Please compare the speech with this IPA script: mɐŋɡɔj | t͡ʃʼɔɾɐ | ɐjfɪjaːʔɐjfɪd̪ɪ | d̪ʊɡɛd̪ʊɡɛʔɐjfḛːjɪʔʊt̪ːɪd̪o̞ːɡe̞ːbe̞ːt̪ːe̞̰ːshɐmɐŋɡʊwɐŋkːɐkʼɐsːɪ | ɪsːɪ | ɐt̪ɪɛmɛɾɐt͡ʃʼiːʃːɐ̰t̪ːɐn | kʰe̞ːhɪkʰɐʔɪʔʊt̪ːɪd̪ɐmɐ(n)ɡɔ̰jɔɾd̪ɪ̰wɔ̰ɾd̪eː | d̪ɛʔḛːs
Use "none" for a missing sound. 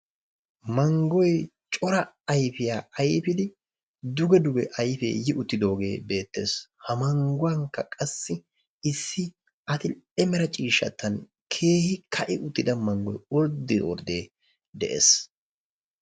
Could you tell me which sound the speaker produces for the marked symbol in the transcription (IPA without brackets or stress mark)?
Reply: ŋ